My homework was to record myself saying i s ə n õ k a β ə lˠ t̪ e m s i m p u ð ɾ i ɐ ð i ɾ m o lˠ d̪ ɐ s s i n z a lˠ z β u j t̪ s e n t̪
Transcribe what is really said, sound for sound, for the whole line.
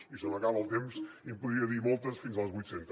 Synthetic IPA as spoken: i s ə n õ k a β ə lˠ t̪ e m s i m p u ð ɾ i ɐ ð i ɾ m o lˠ t̪ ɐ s f i n z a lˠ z β u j t̪ s e n t̪